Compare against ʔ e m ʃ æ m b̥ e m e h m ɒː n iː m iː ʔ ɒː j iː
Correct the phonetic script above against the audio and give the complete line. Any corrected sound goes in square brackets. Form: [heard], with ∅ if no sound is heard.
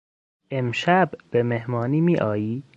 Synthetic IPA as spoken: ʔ e m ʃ æ [b] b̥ e m e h m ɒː n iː m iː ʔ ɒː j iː

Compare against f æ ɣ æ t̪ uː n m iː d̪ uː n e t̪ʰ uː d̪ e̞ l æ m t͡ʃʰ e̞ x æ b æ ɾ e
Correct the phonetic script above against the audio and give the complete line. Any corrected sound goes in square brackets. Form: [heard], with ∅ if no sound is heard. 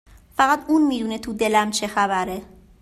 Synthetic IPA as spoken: f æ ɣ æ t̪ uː n m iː d̪ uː n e t̪ʰ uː d̪ e̞ l æ m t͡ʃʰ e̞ x æ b æ ɾ e

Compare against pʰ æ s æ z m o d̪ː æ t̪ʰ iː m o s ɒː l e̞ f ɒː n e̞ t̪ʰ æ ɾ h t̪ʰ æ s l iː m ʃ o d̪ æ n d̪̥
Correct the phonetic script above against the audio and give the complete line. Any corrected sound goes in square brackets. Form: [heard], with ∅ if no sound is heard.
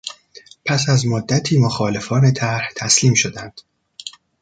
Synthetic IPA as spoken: pʰ æ s æ z m o d̪ː æ t̪ʰ iː m o [x] ɒː l e̞ f ɒː n e̞ t̪ʰ æ ɾ h t̪ʰ æ s l iː m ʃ o d̪ æ n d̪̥

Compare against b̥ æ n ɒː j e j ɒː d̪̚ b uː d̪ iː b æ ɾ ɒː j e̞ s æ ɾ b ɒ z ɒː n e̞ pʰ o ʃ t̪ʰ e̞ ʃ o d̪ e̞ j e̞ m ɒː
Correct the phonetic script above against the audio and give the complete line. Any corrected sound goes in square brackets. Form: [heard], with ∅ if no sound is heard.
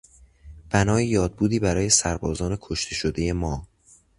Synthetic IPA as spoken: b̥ æ n ɒː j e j ɒː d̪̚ b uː d̪ iː b æ ɾ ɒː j e̞ s æ ɾ b [ɒː] z ɒː n e̞ [kʰ] o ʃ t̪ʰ e̞ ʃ o d̪ e̞ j e̞ m ɒː

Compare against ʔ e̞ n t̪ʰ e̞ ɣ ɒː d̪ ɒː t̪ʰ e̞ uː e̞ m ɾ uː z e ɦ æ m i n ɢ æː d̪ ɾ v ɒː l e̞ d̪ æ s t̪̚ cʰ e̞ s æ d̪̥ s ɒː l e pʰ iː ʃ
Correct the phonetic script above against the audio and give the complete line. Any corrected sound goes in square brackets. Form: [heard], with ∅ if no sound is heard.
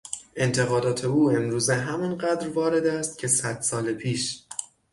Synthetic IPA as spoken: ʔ e̞ n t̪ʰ e̞ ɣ ɒː d̪ ɒː t̪ʰ e̞ uː e̞ m ɾ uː z e ɦ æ m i n ɢ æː d̪ ɾ v ɒː [ɾ] e̞ d̪ æ s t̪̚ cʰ e̞ s æ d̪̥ s ɒː l e pʰ iː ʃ

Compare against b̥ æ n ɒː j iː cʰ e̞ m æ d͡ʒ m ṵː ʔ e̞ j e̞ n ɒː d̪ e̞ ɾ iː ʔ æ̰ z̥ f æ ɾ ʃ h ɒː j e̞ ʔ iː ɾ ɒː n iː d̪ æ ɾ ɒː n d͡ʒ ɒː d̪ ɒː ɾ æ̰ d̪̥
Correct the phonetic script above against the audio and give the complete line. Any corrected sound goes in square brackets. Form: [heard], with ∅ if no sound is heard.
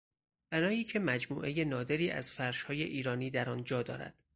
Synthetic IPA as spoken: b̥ æ n ɒː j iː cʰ e̞ m æ d͡ʒ m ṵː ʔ e̞ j e̞ n ɒː d̪ e̞ ɾ iː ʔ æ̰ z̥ f æ ɾ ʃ h ɒː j e̞ ʔ iː ɾ ɒː n iː d̪ æ ɾ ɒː n d͡ʒ ɒː d̪ ɒː ɾ æ̰ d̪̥

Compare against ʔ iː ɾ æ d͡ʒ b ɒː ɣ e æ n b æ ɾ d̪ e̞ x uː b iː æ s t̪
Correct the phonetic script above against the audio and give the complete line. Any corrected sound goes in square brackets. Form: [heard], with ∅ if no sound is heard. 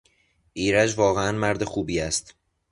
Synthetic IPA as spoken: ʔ iː ɾ æ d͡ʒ [v] ɒː ɣ e æ n [m] æ ɾ d̪ e̞ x uː b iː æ s t̪

